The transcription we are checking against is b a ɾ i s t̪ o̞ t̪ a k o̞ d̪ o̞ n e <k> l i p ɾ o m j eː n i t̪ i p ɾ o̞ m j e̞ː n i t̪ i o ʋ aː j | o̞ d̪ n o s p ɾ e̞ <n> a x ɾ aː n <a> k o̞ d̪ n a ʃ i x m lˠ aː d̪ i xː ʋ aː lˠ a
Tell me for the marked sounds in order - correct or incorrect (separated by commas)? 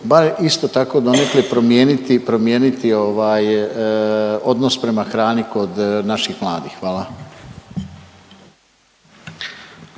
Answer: correct, incorrect, incorrect